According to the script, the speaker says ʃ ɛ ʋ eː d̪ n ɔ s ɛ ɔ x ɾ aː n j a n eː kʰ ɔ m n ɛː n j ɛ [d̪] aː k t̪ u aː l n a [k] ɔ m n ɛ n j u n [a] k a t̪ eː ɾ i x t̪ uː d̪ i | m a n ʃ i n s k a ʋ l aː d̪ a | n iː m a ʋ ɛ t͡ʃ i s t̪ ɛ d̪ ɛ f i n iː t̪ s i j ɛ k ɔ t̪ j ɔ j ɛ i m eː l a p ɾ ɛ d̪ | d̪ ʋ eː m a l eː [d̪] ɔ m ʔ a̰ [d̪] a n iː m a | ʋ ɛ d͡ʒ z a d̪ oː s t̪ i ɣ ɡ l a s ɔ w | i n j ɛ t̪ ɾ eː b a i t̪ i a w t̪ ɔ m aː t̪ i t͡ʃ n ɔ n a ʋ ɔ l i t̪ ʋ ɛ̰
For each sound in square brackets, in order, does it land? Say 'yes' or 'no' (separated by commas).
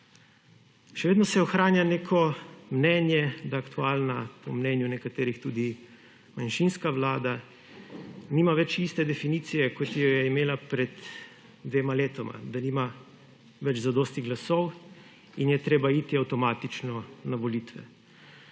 yes, no, no, no, yes